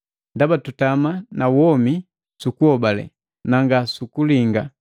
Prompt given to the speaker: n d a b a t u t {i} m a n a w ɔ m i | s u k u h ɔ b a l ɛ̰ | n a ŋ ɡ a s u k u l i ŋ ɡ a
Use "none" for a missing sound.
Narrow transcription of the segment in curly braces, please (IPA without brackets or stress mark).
a